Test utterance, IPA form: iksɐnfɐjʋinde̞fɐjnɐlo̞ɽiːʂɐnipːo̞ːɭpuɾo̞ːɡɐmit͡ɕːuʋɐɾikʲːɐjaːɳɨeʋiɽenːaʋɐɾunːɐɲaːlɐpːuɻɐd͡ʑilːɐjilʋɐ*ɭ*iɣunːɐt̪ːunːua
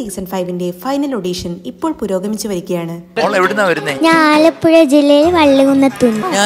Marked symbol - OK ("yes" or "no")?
no